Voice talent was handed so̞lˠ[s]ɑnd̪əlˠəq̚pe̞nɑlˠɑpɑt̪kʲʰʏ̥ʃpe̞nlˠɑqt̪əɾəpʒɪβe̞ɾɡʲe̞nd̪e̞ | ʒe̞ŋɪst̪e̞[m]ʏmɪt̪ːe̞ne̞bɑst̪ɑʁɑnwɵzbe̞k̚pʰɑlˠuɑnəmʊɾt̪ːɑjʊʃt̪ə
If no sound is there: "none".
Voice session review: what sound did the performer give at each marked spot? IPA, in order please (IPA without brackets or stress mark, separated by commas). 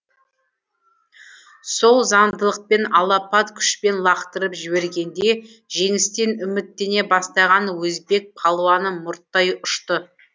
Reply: z, n